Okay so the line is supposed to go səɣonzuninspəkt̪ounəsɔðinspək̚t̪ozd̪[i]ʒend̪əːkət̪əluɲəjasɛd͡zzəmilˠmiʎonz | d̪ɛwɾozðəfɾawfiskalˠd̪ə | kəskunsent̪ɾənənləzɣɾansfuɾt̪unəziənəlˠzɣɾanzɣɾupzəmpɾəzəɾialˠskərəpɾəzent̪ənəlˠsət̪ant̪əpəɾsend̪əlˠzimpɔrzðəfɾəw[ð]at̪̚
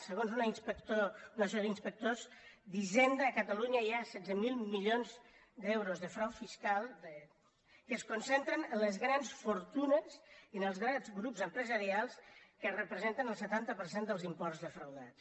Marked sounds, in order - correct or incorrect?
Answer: correct, correct

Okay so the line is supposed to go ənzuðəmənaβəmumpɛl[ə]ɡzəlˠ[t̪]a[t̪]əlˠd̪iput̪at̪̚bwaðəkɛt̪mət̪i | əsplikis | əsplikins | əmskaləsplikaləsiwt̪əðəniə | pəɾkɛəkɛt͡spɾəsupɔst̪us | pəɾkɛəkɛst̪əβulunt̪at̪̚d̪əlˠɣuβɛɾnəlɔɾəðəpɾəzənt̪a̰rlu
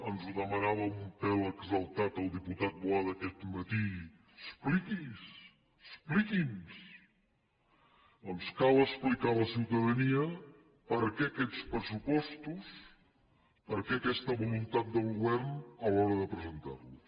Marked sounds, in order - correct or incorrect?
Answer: correct, correct, correct

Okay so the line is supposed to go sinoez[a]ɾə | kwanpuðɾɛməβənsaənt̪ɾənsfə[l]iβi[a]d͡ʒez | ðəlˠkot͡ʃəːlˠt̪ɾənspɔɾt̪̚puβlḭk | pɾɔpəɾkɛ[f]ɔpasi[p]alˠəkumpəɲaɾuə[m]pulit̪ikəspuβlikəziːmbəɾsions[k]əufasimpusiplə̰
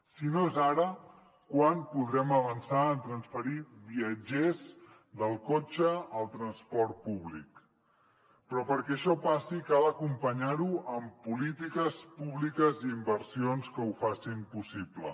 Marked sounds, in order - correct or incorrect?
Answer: correct, incorrect: ɾ, incorrect: ə, incorrect: ʃ, incorrect: k, correct, correct

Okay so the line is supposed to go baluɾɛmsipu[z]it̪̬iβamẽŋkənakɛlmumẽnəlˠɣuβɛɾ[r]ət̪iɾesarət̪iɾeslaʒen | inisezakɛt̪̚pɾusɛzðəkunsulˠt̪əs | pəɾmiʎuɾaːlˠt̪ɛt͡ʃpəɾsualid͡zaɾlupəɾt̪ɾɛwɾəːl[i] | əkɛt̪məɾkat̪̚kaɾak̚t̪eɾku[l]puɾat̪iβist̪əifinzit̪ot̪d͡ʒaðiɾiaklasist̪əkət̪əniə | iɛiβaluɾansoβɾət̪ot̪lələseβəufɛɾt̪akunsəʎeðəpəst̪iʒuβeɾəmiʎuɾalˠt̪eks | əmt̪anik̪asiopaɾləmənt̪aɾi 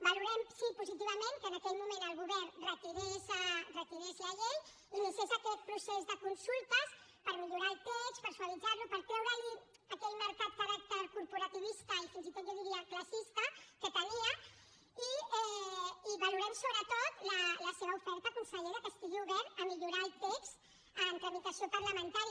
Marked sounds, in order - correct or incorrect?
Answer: correct, correct, correct, incorrect: ɾ

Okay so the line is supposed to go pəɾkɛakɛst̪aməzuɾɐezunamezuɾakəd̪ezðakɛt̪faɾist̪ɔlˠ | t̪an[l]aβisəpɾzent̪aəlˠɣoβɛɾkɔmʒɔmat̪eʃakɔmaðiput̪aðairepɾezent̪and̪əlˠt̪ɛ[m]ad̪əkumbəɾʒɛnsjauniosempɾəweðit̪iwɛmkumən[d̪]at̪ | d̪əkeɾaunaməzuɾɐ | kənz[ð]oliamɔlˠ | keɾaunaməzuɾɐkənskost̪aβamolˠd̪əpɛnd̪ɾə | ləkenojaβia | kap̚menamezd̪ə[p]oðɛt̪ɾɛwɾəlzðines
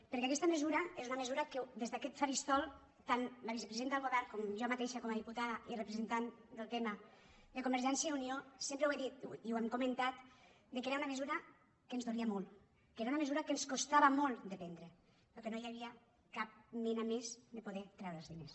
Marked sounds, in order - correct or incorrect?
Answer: correct, correct, incorrect: t̪, correct, correct

